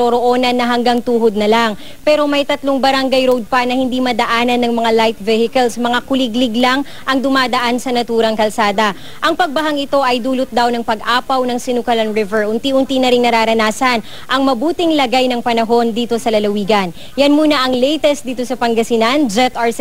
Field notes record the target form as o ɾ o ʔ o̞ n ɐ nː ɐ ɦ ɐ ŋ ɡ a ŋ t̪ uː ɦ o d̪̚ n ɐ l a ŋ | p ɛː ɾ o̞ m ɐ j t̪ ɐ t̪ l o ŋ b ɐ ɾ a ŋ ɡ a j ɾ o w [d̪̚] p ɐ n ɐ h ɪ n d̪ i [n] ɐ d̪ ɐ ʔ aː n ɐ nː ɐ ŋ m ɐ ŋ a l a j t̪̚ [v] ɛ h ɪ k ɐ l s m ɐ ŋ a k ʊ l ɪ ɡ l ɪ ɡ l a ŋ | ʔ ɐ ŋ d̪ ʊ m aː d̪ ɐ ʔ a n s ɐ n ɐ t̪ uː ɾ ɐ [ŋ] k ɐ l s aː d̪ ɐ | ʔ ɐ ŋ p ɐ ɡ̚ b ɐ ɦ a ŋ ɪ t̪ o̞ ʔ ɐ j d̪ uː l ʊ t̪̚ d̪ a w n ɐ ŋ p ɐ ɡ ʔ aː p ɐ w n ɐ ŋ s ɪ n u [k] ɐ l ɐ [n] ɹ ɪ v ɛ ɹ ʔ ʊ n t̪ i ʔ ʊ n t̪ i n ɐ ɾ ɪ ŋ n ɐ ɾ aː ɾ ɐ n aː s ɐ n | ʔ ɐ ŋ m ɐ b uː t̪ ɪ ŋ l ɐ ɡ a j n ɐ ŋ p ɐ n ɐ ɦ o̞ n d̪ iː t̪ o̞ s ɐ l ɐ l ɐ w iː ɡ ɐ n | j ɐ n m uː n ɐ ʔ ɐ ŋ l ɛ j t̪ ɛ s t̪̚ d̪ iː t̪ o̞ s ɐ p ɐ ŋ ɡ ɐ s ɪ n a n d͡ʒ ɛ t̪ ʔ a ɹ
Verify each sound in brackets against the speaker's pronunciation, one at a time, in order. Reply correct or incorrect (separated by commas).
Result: correct, incorrect, correct, correct, correct, correct